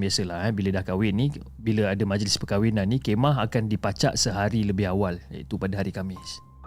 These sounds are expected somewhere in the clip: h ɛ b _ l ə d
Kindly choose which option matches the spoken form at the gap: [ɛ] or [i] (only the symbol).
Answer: i